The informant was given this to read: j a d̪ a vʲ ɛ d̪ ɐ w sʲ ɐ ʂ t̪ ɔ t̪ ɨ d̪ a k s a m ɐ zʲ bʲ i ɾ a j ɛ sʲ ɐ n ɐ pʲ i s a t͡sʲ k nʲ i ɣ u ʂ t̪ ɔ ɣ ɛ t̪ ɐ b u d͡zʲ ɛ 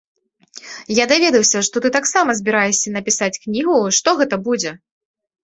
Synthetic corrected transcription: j a d̪ a vʲ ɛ d̪ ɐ w sʲ ɐ ʂ t̪ ɔ t̪ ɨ t̪ a k s a m ɐ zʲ bʲ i ɾ a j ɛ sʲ ɐ n ɐ pʲ i s a t͡sʲ k nʲ i ɣ u ʂ t̪ ɔ ɣ ɛ t̪ ɐ b u d͡zʲ ɛ